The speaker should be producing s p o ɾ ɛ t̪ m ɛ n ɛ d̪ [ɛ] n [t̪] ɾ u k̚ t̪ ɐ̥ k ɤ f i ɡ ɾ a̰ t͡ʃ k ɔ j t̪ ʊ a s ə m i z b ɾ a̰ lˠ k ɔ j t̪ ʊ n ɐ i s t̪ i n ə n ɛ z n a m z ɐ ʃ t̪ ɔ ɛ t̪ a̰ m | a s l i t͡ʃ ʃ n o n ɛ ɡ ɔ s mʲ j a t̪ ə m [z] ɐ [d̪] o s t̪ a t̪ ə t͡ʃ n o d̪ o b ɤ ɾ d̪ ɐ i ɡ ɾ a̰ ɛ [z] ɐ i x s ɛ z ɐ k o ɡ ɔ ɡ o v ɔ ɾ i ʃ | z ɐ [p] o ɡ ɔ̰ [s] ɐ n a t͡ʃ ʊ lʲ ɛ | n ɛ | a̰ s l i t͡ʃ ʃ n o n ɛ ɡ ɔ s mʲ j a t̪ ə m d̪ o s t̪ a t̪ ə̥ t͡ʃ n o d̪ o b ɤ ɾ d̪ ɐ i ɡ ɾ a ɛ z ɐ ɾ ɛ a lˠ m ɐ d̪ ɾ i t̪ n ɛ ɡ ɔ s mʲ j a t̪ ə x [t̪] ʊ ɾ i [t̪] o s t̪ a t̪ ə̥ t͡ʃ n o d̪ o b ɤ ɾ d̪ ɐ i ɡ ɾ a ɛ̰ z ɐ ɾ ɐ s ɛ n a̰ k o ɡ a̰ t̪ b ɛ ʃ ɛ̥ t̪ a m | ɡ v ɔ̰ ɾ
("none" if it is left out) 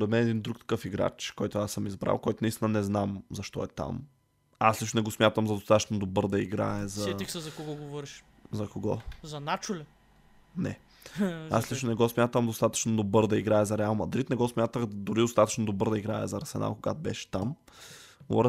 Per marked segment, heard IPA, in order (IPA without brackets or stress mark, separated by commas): i, d̪, z, d̪, z, k, z, d̪, d̪